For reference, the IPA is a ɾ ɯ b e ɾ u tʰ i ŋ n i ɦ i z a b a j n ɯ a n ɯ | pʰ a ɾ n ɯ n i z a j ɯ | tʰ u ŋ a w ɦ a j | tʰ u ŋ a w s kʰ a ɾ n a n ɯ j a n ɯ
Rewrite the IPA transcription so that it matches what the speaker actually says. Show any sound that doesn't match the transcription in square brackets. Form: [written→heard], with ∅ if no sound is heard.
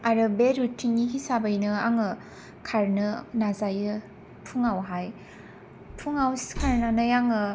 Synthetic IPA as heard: a ɾ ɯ b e ɾ u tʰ i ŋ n i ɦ i [z→s] a b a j n ɯ a [n→ŋ] ɯ | [pʰ→kʰ] a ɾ n ɯ n [i→a] z a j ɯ | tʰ u ŋ a w ɦ a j | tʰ u ŋ a w s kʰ a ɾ n a n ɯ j a [n→ŋ] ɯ